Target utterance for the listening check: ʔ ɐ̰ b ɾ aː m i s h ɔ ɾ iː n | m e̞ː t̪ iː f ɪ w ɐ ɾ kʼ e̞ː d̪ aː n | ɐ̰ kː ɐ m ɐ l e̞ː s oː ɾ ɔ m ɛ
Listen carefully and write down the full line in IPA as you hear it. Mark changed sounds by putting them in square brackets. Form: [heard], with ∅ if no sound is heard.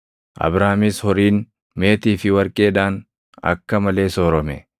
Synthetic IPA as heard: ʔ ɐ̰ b ɾ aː m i s h ɔ ɾ iː n | m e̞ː t̪ iː f ɪ w ɐ ɾ kʼ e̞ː d̪ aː n | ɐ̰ kː ɐ m ɐ l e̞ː s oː ɾ ɔ m ɛ